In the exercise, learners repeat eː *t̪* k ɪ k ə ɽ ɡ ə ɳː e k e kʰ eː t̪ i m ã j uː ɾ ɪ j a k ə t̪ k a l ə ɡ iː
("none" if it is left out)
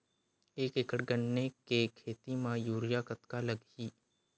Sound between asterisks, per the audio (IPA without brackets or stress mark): none